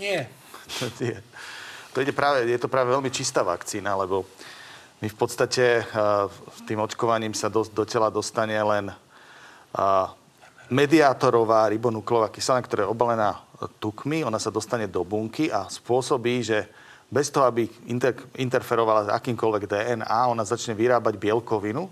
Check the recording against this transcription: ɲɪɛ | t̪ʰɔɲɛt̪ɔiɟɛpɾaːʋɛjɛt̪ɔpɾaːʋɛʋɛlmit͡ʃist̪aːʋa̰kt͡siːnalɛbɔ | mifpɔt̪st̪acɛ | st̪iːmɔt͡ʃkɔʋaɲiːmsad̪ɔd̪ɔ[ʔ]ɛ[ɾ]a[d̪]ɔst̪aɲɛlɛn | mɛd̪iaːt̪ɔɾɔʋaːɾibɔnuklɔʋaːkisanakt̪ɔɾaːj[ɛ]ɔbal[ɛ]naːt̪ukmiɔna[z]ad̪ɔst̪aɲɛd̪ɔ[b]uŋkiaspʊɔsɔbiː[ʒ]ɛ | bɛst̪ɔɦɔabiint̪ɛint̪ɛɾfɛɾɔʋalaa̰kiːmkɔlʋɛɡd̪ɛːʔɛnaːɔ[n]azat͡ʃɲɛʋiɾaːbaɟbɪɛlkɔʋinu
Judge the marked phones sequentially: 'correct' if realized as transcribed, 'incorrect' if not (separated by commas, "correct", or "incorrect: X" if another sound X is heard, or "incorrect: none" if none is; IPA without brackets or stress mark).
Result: incorrect: c, incorrect: l, correct, correct, correct, incorrect: s, correct, correct, correct